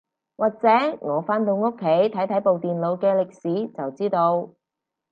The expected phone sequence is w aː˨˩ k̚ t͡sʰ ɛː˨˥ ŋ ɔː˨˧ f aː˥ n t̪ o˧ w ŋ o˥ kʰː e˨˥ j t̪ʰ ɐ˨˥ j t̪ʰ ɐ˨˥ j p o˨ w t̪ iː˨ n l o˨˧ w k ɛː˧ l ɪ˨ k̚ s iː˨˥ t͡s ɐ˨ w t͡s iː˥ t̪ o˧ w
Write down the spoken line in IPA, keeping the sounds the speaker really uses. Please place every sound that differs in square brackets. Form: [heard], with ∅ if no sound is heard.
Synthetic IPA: w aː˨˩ k̚ [t͡s] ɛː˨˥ ŋ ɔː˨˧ f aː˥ n t̪ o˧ w ŋ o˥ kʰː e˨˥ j t̪ʰ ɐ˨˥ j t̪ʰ ɐ˨˥ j p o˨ w t̪ iː˨ n l o˨˧ w k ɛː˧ l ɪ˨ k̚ s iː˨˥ t͡s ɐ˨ w t͡s iː˥ t̪ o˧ w